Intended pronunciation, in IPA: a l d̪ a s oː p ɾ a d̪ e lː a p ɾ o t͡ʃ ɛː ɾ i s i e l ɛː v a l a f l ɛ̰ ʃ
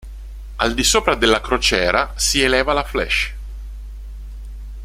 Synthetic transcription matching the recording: a l d̪ i s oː p ɾ a d̪ e lː a k ɾ o t͡ʃ ɛː ɾ a s i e l ɛː v a l a f l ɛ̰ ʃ